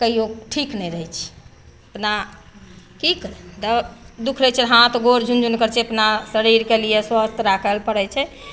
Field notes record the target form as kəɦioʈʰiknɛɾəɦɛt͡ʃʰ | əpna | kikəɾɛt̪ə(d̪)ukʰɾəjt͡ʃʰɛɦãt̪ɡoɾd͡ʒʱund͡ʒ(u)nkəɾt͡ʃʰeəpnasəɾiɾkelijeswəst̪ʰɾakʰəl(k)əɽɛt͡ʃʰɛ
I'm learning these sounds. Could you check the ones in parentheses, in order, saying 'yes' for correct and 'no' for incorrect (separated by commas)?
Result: yes, yes, no